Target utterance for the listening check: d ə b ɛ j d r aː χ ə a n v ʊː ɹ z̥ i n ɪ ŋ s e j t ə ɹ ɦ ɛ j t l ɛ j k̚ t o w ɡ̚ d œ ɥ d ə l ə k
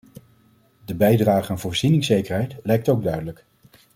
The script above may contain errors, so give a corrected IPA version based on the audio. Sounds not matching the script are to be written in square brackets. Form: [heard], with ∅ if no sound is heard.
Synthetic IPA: d ə b ɛ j d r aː χ ə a n v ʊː ɹ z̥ i n ɪ ŋ s e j [k] ə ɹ ɦ ɛ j t l ɛ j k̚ t o w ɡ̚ d œ ɥ d ə l ə k